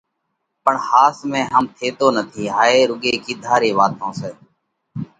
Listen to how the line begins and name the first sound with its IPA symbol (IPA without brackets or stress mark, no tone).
p